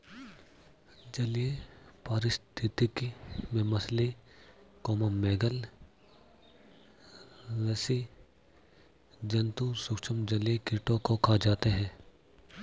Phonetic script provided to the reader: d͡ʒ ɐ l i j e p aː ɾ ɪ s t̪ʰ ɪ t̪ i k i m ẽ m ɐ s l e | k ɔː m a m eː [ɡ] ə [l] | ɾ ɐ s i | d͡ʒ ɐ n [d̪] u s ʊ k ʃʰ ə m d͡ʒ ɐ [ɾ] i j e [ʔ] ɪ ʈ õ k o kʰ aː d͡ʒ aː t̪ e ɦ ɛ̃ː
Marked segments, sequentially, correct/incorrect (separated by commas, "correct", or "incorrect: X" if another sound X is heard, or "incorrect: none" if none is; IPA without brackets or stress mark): correct, correct, incorrect: t̪, incorrect: l, incorrect: k